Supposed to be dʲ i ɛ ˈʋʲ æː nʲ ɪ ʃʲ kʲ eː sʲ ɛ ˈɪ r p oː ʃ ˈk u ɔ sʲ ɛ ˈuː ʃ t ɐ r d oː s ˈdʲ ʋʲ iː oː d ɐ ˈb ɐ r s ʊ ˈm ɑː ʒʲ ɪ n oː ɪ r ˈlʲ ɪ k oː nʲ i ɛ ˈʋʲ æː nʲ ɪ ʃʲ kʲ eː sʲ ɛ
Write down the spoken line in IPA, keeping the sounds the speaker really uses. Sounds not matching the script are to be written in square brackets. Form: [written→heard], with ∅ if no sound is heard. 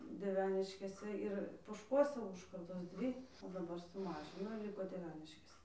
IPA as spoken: dʲ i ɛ ˈʋʲ æː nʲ ɪ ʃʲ kʲ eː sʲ ɛ ˈɪ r p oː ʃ ˈk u ɔ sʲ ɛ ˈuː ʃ [t→k] ɐ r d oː s ˈdʲ ʋʲ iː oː d ɐ ˈb ɐ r s ʊ ˈm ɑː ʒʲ ɪ n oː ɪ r ˈlʲ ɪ k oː [nʲ→dʲ] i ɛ ˈʋʲ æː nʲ ɪ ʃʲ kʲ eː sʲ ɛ